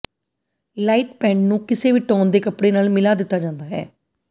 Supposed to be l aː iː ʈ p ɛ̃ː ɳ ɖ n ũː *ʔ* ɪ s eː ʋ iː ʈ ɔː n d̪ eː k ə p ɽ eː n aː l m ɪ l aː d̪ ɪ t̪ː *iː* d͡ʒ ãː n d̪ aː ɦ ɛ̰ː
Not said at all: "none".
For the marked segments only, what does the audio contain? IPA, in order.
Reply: k, aː

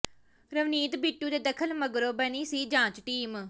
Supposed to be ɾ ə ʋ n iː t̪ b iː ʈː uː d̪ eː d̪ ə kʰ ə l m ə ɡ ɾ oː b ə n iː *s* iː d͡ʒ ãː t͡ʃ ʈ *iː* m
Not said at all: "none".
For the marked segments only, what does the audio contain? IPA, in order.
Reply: s, iː

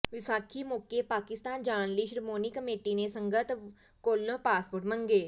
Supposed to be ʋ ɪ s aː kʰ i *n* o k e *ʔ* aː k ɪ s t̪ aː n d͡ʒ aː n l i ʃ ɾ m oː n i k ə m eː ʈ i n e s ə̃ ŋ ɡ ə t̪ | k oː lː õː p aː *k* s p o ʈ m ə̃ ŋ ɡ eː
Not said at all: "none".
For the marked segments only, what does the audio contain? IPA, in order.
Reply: m, p, none

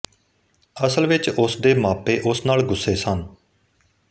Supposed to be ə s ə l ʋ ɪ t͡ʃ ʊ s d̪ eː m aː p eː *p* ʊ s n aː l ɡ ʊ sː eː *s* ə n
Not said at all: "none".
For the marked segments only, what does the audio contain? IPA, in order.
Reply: ʔ, s

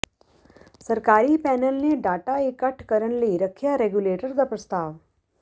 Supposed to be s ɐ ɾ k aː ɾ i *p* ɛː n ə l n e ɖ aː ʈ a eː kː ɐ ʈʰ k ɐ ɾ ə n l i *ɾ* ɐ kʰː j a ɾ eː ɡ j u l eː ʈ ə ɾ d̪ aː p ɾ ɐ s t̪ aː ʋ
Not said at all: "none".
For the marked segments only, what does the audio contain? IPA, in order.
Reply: p, ɾ

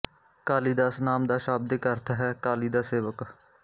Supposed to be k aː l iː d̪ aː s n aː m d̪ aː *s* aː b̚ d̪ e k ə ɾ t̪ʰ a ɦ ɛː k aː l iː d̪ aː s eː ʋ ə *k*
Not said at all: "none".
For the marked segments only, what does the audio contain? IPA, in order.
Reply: ʃ, k

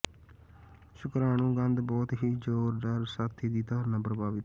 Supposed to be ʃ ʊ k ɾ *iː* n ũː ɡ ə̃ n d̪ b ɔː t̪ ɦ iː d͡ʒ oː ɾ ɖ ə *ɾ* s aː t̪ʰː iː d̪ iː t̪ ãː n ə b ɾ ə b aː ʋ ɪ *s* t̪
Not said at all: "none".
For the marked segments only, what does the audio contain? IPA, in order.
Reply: aː, ɾ, none

